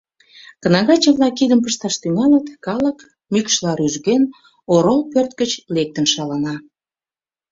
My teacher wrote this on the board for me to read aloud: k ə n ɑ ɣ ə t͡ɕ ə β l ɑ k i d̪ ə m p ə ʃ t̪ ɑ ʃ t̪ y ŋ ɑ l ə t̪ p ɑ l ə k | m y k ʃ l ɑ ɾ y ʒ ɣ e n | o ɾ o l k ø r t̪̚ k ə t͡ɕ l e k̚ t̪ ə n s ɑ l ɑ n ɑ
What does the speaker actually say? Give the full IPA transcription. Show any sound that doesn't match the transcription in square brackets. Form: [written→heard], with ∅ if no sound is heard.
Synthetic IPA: k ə n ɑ ɣ [ə→ɑ] t͡ɕ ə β l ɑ k i d̪ ə m p ə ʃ t̪ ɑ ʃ t̪ y ŋ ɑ l ə t̪ [p→k] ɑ l ə k | m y k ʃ l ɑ ɾ y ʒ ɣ e n | o ɾ o l [k→p] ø r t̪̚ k ə t͡ɕ l e k̚ t̪ ə n [s→ʃ] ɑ l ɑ n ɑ